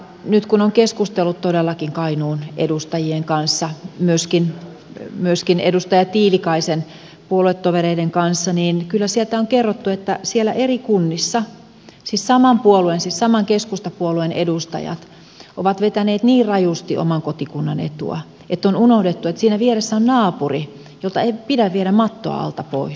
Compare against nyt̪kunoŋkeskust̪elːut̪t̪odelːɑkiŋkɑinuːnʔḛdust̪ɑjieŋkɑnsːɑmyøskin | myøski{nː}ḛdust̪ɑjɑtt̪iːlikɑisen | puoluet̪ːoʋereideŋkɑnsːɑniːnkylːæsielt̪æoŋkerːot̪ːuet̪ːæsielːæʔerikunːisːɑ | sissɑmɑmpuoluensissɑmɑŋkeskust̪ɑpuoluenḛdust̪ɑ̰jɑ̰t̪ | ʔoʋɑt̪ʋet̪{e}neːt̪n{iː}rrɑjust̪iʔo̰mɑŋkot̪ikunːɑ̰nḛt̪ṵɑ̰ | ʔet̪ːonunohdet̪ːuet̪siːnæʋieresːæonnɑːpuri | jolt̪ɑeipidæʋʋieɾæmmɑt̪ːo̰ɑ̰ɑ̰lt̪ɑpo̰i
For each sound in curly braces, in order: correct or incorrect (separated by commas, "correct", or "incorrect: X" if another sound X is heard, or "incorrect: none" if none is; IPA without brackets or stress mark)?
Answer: incorrect: n, incorrect: æ, correct